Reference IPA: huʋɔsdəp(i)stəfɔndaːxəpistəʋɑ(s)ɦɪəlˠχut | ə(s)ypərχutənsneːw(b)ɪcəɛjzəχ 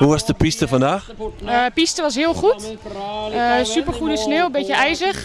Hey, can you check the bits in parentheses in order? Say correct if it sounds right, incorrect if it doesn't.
correct, correct, correct, correct

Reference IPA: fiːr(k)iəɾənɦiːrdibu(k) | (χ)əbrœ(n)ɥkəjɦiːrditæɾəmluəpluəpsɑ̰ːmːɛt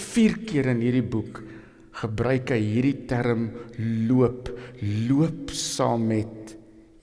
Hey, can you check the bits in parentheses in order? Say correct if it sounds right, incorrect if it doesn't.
correct, correct, correct, incorrect: none

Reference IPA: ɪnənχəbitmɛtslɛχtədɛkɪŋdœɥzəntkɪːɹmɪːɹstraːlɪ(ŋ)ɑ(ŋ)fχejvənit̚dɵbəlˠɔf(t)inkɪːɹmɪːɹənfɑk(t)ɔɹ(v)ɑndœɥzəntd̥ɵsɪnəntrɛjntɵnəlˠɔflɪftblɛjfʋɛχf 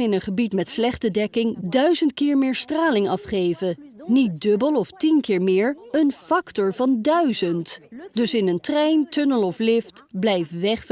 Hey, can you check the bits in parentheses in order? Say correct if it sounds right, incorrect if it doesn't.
correct, incorrect: none, correct, correct, correct

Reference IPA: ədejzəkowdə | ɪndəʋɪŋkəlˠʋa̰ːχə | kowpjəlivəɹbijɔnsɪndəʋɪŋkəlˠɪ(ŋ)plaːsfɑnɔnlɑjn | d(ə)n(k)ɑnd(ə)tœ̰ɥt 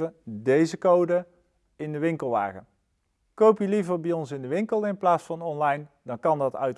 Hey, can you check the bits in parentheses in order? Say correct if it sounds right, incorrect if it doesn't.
incorrect: n, incorrect: ɑ, correct, incorrect: ɑ

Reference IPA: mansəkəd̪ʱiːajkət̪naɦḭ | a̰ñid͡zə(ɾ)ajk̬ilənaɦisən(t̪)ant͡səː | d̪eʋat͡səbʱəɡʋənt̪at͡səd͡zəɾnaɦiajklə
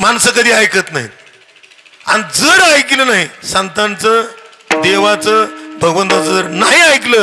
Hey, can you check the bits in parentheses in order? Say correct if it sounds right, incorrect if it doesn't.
correct, correct

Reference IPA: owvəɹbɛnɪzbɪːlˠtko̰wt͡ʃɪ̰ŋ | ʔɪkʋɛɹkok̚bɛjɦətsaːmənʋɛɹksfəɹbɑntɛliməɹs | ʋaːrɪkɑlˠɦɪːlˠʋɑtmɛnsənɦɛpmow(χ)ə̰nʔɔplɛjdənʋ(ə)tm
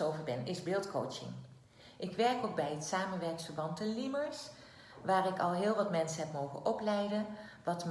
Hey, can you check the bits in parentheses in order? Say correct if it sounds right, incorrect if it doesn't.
correct, incorrect: ɑ

